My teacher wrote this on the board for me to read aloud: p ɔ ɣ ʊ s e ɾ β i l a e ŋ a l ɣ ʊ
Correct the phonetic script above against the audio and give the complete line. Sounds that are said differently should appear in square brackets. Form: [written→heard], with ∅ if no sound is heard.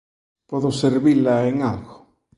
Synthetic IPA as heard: p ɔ [ɣ→ð] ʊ s e ɾ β i l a e ŋ a l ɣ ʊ